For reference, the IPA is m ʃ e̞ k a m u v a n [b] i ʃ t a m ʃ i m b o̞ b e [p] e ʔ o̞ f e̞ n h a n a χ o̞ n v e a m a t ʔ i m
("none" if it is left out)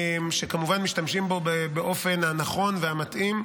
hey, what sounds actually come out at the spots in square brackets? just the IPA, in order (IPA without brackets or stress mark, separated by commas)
m, b